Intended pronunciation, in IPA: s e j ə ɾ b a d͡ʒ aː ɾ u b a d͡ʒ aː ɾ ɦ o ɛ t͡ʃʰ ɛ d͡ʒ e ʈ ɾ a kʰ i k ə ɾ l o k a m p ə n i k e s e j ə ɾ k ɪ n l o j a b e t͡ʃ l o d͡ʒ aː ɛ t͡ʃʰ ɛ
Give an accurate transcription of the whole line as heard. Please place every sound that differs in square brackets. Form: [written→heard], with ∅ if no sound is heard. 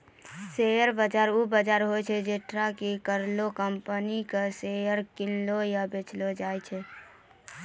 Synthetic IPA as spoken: s e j ə ɾ b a d͡ʒ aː ɾ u b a d͡ʒ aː ɾ ɦ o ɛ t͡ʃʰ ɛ d͡ʒ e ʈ ɾ a [kʰ→k] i k ə ɾ l o k [a→ə] m p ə n i k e s e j ə ɾ k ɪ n l o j a b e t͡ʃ l o d͡ʒ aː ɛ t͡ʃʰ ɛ